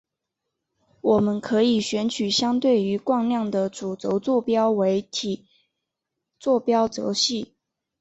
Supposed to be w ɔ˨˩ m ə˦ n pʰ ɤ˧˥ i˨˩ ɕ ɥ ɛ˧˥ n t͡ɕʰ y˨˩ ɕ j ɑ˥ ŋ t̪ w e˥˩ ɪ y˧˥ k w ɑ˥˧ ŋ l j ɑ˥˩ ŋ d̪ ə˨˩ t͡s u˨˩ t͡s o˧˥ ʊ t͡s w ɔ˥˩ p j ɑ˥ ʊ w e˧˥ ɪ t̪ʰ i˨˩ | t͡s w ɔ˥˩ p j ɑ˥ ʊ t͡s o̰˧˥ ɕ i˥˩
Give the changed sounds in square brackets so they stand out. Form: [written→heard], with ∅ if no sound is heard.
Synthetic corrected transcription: w ɔ˨˩ m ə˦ n [pʰ→kʰ] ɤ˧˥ i˨˩ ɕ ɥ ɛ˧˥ n t͡ɕʰ y˨˩ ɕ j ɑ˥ ŋ t̪ w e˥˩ ɪ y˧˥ k w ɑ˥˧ ŋ l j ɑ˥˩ ŋ d̪ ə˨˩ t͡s u˨˩ t͡s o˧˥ ʊ t͡s w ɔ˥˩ p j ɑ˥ ʊ w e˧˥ ɪ t̪ʰ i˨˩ | t͡s w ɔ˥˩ p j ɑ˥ ʊ t͡s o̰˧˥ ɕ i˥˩